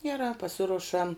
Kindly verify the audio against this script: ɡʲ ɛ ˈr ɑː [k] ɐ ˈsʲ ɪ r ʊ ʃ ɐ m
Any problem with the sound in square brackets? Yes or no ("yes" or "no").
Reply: yes